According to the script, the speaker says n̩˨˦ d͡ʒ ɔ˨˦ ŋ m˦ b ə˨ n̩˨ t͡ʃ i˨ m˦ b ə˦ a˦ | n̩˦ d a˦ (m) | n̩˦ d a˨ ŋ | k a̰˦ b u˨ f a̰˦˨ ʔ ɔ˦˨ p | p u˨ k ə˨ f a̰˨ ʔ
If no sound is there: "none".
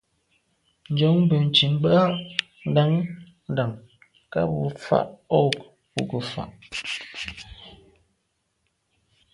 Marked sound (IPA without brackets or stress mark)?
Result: ŋ